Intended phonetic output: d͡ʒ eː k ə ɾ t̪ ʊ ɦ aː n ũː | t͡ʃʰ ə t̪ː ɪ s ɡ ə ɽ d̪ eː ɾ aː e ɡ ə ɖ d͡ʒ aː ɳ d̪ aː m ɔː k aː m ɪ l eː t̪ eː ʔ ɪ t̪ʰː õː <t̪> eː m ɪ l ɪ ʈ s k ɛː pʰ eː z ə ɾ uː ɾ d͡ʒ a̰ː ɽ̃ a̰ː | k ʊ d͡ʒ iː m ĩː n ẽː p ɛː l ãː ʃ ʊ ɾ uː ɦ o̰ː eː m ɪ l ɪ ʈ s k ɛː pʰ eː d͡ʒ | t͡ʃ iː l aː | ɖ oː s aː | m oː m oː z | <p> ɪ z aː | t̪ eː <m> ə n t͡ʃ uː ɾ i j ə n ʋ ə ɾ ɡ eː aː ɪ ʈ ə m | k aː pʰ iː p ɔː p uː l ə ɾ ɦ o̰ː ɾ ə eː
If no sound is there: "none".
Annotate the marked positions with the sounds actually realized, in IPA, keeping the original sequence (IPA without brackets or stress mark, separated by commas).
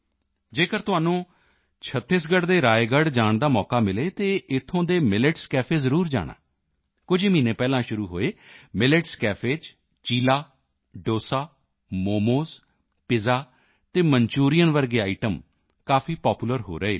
d̪, p, m